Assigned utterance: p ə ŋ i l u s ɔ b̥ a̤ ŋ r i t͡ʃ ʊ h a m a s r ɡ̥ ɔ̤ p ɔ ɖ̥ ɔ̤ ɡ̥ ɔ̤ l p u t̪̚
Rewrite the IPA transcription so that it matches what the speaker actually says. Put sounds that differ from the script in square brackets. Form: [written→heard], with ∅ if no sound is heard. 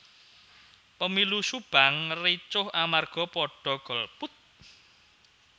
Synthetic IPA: p ə [ŋ→m] i l u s [ɔ→u] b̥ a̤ ŋ r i t͡ʃ ʊ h a m a [s→∅] r ɡ̥ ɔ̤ p ɔ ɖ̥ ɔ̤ ɡ̥ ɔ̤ l p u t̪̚